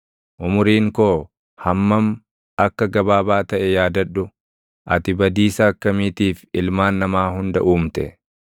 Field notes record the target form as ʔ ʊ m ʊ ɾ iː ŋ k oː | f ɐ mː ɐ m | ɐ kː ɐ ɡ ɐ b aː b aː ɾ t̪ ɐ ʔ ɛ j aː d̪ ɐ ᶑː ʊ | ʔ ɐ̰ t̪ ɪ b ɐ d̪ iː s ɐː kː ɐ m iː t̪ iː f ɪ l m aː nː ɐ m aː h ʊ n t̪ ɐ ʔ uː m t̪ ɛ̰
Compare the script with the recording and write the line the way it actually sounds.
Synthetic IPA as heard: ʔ ʊ m ʊ ɾ iː ŋ k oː | h ɐ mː ɐ m | ɐ kː ɐ ɡ ɐ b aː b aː t̪ ɐ ʔ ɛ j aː d̪ ɐ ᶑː ʊ | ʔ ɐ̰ t̪ ɪ b ɐ d̪ iː s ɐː kː ɐ m iː t̪ iː f ɪ l m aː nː ɐ m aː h ʊ n d̪ ɐ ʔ uː m t̪ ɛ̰

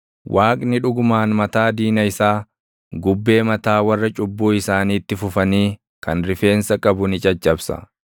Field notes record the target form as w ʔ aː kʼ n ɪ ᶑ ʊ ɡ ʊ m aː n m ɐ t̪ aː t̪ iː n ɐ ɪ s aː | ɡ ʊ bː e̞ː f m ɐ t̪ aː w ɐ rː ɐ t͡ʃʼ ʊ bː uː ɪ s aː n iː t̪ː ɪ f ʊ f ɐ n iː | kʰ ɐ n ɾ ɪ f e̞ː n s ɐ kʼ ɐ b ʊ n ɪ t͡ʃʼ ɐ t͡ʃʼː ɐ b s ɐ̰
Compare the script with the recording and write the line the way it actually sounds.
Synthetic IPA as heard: w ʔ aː kʼ n ɪ ᶑ ʊ ɡ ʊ m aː n m ɐ t̪ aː d̪ iː n ɐ ɪ s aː | ɡ ʊ bː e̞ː m ɐ t̪ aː w ɐ rː ɐ t͡ʃʼ ʊ bː uː ɪ s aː n iː t̪ː ɪ f ʊ f ɐ n iː | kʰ ɐ n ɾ ɪ f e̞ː n s ɐ kʼ ɐ b ʊ n ɪ t͡ʃʼ ɐ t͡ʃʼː ɐ b s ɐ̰

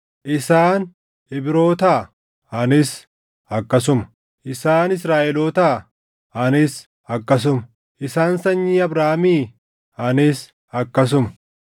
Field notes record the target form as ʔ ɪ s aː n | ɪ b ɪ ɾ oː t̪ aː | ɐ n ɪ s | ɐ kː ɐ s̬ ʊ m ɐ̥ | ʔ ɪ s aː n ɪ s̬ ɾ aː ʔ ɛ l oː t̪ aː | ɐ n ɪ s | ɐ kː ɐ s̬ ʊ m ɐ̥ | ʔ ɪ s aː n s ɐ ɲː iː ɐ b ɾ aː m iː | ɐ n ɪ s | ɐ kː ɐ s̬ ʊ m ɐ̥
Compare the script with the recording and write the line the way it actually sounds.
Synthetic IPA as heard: ʔ ɪ s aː n | ɪ b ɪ ɾ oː t̪ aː | ɐ n ɪ s | ɐ kː ɐ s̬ ʊ m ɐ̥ | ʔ ɪ s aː n ɪ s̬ ɾ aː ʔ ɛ l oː t̪ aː | ɐ n ɪ s | ɐ kː ɐ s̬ ʊ m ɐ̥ | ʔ ɪ s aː n s ɐ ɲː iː ɐ b ɾ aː m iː | ɐ n ɪ s | ɐ kː ɐ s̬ ʊ m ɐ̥

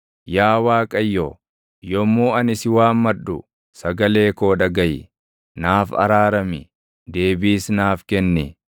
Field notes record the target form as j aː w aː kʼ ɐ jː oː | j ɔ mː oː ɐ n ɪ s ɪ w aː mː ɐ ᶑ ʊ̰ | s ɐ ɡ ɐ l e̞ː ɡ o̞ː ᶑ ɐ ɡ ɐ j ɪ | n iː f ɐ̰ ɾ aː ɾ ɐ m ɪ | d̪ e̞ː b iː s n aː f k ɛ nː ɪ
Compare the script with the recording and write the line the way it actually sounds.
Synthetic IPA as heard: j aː w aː kʼ ɐ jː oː | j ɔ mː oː ɐ n ɪ s ɪ w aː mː ɐ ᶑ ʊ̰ | s ɐ ɡ ɐ l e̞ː k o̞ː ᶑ ɐ ɡ ɐ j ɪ | n aː f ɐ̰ ɾ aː ɾ ɐ m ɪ | d̪ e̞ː b iː s n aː f k ɛ nː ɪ

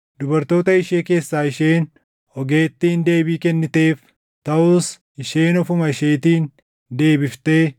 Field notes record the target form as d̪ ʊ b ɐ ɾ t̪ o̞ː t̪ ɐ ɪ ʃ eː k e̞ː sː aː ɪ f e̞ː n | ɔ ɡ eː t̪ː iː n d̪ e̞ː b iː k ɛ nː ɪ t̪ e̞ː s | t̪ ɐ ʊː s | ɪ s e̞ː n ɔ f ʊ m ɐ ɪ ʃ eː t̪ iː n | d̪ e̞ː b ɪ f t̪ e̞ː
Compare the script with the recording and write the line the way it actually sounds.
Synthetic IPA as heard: d̪ ʊ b ɐ ɾ t̪ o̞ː t̪ ɐ ɪ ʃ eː k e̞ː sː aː ɪ ʃ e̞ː n | ɔ ɡ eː t̪ː iː n d̪ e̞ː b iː k ɛ nː ɪ t̪ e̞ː f | t̪ ɐ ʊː s | ɪ ʃ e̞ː n ɔ f ʊ m ɐ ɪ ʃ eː t̪ iː n | d̪ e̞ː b ɪ f t̪ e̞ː

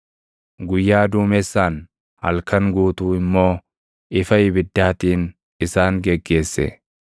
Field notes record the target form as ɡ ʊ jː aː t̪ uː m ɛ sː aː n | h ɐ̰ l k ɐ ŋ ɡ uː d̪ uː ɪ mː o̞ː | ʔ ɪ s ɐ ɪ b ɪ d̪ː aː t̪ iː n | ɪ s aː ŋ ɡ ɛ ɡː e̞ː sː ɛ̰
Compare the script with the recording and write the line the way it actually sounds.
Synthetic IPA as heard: ɡ ʊ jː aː d̪ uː m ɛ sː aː n | h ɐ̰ l k ɐ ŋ ɡ uː t̪ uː ɪ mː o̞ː | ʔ ɪ f ɐ ɪ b ɪ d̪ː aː t̪ iː n | ɪ s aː ŋ ɡ ɛ ɡː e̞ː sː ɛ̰

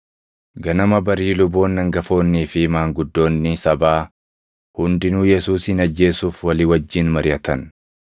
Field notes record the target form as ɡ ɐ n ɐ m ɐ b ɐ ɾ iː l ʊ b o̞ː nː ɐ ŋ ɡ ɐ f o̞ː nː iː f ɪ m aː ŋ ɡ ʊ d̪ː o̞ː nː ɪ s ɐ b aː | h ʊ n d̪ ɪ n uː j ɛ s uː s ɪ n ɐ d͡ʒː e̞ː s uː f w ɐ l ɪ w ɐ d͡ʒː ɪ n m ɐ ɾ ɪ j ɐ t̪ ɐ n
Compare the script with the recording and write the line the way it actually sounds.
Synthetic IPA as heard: ɡ ɐ n ɐ m ɐ b ɐ ɾ iː l ʊ b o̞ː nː ɐ ŋ ɡ ɐ f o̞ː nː iː f ɪ m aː ŋ ɡ ʊ d̪ː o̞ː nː ɪ s ɐ b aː | h ʊ n d̪ ɪ n uː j ɛ s uː s ɪ n ɐ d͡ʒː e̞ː s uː f w ɐ l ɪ w ɐ d͡ʒː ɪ n m ɐ ɾ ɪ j ɐ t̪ ɐ n

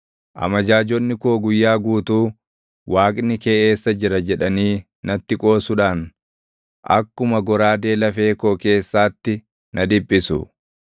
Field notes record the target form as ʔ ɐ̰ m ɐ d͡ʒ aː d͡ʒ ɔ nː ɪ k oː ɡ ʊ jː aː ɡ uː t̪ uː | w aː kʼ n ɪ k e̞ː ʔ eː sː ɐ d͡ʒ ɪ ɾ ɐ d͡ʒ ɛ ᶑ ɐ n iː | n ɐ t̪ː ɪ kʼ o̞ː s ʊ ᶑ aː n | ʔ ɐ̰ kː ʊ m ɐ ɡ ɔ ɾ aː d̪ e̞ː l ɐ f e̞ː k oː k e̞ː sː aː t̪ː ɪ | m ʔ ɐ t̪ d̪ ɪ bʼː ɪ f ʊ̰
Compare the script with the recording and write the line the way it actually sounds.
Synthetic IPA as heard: ʔ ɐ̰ m ɐ d͡ʒ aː d͡ʒ ɔ nː ɪ k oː ɡ ʊ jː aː ɡ uː t̪ uː | w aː kʼ n ɪ k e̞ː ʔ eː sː ɐ d͡ʒ ɪ ɾ ɐ d͡ʒ ɛ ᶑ ɐ n iː | n ɐ t̪ː ɪ kʼ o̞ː s ʊ ᶑ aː n | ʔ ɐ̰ kː ʊ m ɐ ɡ ɔ ɾ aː d̪ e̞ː l ɐ f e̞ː k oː k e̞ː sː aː t̪ː ɪ | n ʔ ɐ d̪ ɪ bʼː ɪ s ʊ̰

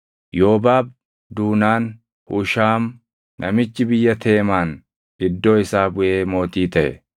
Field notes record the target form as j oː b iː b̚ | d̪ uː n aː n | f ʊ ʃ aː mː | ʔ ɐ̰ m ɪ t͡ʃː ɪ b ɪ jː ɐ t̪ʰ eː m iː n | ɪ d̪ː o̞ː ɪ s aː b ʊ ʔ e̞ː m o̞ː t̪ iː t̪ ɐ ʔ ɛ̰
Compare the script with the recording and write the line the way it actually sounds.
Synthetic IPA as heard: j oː b aː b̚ | d̪ uː n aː n | h ʊ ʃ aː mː | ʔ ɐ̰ m ɪ t͡ʃː ɪ b ɪ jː ɐ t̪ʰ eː m aː n | ɪ d̪ː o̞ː ɪ s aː b ʊ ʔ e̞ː m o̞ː t̪ iː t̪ ɐ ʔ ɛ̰

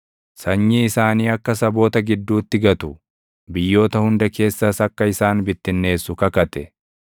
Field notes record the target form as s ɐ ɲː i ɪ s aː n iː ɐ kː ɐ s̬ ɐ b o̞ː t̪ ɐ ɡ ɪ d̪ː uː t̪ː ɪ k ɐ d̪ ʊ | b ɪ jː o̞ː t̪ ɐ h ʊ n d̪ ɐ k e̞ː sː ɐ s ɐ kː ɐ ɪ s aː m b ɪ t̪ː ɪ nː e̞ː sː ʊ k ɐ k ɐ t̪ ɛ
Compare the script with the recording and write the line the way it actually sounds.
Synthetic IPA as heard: s ɐ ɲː i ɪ s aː n iː ɐ kː ɐ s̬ ɐ b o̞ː t̪ ɐ ɡ ɪ d̪ː uː t̪ː ɪ ɡ ɐ t̪ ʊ | b ɪ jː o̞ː t̪ ɐ h ʊ n d̪ ɐ k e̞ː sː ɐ s ɐ kː ɐ ɪ s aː n b ɪ t̪ː ɪ nː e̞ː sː ʊ k ɐ k ɐ t̪ ɛ

